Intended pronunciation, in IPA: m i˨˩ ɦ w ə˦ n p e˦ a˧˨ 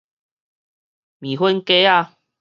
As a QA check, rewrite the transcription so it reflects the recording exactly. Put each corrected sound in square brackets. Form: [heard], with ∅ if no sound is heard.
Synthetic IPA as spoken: m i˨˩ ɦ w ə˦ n [k] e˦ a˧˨